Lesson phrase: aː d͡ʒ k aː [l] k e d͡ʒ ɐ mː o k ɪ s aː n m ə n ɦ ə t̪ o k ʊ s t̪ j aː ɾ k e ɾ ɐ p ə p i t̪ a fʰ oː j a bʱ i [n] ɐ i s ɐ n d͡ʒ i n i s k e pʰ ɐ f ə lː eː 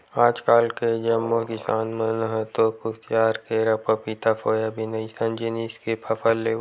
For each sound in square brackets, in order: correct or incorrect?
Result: correct, correct

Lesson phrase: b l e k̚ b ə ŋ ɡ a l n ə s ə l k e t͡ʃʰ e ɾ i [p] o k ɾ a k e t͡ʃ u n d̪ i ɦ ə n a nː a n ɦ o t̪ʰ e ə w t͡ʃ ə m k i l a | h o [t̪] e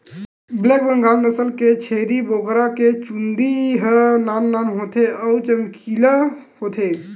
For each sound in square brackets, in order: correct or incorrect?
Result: incorrect, incorrect

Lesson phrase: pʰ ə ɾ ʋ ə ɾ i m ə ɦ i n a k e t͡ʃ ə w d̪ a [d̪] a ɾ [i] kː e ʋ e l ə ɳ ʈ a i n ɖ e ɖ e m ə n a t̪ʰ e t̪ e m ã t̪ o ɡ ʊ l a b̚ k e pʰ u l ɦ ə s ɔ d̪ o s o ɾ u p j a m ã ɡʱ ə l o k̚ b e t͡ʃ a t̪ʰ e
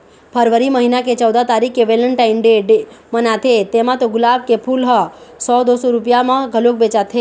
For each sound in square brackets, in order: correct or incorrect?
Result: incorrect, correct

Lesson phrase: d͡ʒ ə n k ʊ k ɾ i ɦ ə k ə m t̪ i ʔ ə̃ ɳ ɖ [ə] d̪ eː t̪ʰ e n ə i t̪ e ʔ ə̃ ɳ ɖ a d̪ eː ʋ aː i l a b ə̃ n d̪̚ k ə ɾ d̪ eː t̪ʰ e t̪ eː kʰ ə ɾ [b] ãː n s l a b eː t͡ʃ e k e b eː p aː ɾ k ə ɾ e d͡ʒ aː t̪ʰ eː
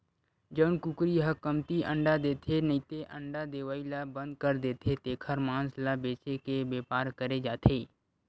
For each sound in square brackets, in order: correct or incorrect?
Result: incorrect, incorrect

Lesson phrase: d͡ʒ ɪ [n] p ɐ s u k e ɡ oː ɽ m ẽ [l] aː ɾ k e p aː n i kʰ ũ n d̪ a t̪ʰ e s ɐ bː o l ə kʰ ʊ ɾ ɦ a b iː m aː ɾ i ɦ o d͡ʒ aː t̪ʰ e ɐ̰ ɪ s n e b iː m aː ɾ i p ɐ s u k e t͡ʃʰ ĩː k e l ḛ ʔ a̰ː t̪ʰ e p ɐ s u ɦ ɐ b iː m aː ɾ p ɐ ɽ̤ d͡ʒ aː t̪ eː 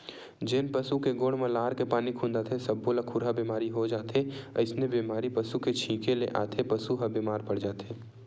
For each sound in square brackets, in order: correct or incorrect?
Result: correct, correct

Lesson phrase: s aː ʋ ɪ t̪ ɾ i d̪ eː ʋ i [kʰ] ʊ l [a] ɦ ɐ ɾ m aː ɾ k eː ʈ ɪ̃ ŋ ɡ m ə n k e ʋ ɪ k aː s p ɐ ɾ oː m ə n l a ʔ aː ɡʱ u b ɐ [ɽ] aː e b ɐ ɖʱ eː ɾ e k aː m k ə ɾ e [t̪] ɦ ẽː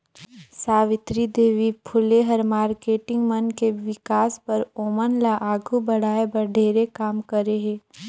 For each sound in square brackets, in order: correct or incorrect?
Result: incorrect, incorrect, correct, incorrect

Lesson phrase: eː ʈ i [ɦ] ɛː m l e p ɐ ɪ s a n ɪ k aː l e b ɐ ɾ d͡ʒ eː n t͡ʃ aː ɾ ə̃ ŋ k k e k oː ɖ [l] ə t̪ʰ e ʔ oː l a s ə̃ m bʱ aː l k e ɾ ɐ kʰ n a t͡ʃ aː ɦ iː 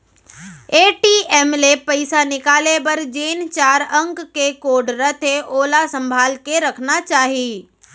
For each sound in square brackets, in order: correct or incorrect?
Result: incorrect, incorrect

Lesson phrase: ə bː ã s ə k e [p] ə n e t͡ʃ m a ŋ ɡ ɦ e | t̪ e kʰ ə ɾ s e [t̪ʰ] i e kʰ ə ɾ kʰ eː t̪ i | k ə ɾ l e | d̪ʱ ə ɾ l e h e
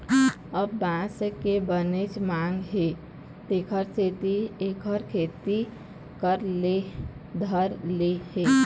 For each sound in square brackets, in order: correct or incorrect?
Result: incorrect, incorrect

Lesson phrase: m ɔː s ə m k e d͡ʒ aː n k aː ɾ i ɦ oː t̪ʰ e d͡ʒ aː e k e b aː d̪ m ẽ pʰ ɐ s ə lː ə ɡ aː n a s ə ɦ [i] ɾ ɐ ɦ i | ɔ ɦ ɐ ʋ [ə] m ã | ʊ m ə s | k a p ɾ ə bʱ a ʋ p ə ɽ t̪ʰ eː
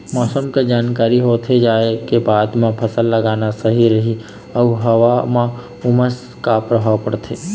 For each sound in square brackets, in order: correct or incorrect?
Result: correct, incorrect

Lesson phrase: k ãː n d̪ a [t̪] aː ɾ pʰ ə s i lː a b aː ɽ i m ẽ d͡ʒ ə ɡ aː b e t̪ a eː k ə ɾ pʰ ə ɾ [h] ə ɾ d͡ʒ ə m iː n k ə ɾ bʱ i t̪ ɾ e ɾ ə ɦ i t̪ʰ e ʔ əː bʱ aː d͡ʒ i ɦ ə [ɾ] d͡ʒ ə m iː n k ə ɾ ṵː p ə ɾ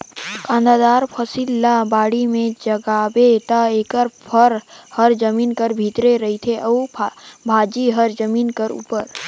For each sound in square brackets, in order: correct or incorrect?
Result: incorrect, correct, correct

